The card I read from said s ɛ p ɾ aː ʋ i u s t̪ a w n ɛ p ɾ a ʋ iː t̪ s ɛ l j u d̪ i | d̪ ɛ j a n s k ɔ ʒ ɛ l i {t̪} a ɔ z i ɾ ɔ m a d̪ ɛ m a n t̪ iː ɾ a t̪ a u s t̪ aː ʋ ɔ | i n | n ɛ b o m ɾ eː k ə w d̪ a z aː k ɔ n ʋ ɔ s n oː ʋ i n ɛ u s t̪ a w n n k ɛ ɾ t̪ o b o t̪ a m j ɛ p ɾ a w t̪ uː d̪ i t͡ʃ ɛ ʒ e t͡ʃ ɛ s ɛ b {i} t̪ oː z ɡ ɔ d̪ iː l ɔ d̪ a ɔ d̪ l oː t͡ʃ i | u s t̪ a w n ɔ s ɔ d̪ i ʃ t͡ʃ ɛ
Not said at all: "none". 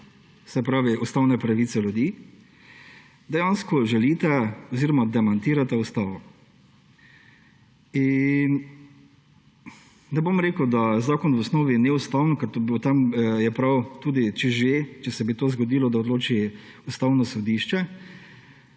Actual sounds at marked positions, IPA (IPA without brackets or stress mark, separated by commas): t̪, i